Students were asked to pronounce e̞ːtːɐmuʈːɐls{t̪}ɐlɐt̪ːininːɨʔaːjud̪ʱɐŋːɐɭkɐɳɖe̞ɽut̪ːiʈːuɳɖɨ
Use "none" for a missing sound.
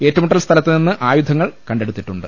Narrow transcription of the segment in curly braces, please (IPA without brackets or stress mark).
t̪ʰ